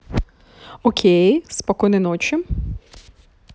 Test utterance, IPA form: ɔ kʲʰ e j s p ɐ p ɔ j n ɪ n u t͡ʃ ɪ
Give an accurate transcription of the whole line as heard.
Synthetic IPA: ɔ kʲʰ e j s p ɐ k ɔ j n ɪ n ɔ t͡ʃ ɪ